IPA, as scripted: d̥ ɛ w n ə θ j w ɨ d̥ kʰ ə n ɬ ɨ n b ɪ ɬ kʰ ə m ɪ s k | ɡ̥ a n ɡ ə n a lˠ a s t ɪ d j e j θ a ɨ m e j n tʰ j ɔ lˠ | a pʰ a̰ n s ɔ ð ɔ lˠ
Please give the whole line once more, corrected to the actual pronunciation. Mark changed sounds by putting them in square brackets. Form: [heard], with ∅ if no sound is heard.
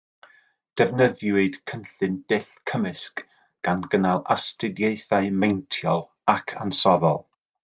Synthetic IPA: d̥ ɛ [v] n ə [ð] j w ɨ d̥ kʰ ə n ɬ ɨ n [d] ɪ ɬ kʰ ə m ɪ s k | ɡ̥ a n ɡ ə n a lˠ a s t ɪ d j e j θ a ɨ m e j n tʰ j ɔ lˠ | a [kʰ] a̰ n s ɔ ð ɔ lˠ